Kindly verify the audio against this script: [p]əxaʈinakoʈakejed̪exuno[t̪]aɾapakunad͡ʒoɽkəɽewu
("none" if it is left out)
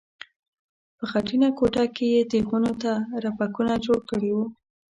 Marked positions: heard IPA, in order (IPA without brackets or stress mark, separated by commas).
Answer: p, t̪